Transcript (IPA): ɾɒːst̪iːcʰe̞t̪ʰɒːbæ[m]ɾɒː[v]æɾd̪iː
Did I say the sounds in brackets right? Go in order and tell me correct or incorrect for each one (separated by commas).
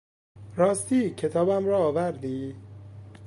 correct, correct